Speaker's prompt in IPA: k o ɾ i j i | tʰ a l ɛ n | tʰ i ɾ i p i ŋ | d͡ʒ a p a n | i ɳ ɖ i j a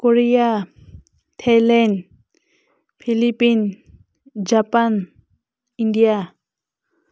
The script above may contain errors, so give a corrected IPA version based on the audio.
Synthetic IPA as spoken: k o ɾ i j a | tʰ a l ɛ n | pʰ i l i p i n | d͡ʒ a p a n | i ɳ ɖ i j a